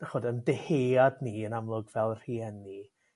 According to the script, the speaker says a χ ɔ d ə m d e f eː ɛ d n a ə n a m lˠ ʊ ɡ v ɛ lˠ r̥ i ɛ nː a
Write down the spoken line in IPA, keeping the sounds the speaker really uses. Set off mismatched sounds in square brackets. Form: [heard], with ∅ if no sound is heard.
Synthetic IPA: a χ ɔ d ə [n] d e [h] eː [a] d n [i] ə n a m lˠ ʊ ɡ v ɛ lˠ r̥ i ɛ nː [i]